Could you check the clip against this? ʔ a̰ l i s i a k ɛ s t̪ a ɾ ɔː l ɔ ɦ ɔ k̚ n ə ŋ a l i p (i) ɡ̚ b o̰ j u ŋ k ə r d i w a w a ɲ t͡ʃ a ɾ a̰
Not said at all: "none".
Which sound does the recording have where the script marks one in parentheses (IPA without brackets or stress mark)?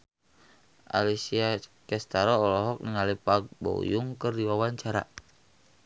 a